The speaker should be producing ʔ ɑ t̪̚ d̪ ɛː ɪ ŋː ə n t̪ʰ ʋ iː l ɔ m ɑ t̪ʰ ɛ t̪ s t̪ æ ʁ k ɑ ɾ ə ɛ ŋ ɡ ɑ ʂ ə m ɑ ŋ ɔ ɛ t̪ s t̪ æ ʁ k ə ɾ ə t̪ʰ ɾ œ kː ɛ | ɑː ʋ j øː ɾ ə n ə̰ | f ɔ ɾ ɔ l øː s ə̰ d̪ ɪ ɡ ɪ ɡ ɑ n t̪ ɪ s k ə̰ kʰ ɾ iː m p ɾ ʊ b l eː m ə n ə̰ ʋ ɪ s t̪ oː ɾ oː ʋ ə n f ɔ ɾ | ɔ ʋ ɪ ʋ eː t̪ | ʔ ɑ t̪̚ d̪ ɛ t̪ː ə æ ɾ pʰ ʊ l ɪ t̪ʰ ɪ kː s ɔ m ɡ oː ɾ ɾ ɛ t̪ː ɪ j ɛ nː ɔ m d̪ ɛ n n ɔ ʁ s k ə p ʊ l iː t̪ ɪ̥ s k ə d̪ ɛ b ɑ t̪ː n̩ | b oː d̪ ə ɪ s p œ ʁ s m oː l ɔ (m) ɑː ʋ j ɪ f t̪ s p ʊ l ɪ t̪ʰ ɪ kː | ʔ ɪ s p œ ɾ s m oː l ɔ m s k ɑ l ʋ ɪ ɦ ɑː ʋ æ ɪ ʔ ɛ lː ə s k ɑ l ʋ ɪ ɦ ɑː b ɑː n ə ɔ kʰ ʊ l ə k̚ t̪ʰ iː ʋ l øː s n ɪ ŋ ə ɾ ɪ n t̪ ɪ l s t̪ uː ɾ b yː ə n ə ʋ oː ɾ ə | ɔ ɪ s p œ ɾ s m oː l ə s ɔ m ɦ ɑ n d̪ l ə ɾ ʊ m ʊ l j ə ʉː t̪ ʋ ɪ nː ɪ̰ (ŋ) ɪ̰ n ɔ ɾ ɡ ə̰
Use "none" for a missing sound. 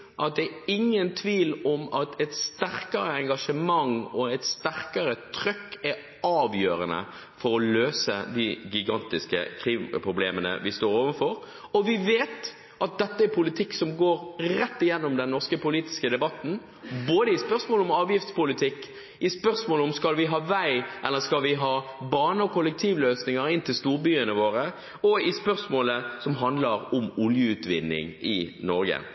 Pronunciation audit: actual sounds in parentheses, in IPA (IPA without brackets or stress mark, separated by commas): m, ŋ